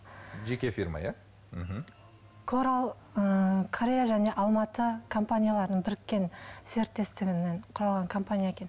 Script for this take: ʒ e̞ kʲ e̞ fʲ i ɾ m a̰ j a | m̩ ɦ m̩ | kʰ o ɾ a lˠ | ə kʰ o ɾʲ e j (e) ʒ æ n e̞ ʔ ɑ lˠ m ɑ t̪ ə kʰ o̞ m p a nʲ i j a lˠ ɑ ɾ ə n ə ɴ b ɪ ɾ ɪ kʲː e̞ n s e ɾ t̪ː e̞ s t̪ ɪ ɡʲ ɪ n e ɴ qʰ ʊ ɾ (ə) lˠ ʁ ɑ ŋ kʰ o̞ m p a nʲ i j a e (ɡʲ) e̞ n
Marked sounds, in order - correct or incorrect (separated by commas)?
incorrect, incorrect, incorrect